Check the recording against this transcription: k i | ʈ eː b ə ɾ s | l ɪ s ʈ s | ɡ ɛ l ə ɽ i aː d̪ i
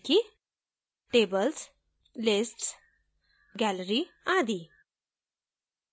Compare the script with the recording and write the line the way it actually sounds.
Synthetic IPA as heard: k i | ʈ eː b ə l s | l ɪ s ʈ s | ɡ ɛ l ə ɾ i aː d̪ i